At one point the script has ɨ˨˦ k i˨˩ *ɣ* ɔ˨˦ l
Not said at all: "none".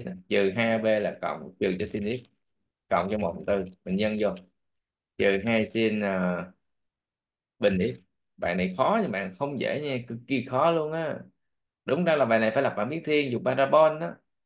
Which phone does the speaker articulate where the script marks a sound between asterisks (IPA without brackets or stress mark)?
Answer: x